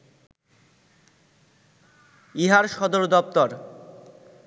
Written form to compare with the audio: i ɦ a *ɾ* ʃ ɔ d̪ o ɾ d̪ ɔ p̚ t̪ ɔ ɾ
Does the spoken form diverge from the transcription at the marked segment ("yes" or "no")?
no